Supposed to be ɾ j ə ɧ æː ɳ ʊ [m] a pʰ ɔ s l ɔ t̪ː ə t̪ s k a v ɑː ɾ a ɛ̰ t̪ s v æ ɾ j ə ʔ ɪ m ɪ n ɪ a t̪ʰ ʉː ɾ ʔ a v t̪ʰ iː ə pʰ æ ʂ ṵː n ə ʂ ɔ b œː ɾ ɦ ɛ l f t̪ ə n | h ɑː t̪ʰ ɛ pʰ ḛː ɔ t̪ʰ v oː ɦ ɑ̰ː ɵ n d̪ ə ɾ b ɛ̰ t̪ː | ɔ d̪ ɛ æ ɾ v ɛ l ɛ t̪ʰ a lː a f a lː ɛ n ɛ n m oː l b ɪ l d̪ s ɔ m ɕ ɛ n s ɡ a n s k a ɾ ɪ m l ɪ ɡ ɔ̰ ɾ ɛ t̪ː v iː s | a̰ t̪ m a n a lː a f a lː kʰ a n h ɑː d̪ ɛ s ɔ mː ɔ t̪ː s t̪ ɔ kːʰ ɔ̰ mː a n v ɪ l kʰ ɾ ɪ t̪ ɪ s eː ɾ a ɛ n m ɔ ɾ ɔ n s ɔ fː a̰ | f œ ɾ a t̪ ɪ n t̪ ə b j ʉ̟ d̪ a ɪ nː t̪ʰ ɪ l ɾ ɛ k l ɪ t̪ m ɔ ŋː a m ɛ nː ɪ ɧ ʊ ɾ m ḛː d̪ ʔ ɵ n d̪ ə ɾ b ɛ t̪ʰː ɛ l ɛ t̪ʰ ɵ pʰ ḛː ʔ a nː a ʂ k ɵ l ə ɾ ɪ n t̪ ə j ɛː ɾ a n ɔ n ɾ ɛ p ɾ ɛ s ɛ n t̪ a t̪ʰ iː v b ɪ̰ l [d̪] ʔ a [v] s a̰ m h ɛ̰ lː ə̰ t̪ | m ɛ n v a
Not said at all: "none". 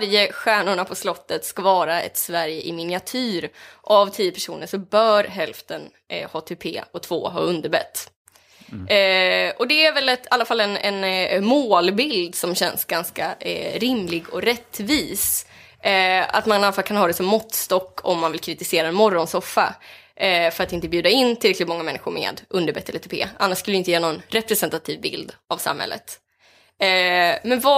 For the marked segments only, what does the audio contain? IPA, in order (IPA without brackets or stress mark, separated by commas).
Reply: ɳ, d̪, v